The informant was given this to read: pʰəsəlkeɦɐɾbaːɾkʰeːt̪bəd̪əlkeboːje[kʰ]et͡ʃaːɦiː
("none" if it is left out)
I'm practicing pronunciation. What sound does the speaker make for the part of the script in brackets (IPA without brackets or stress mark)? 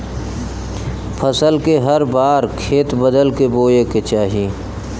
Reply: k